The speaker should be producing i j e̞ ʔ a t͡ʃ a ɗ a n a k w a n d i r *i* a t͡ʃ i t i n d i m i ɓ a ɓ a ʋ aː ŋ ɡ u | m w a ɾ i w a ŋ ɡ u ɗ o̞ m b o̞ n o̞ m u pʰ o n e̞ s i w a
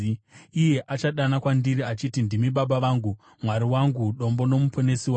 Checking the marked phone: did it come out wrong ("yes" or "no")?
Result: no